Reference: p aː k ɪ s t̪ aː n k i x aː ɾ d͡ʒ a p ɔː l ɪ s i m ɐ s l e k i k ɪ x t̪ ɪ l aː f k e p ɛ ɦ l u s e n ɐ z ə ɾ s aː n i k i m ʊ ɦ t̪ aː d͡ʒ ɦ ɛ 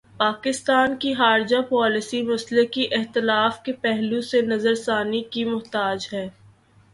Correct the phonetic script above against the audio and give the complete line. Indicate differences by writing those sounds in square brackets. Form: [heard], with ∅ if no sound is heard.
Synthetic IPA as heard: p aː k ɪ s t̪ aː n k i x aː ɾ d͡ʒ a p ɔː l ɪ s i m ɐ s l e k i [ʔ] ɪ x t̪ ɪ l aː f k e p ɛ ɦ l u s e n ɐ z ə ɾ s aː n i k i m ʊ ɦ t̪ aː d͡ʒ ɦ [ɛː]